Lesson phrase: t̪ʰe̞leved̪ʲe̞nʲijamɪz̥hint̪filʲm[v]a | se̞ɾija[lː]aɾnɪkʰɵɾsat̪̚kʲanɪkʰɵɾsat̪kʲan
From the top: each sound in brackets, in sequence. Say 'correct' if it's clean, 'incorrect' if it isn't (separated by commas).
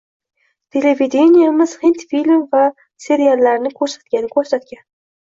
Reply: correct, correct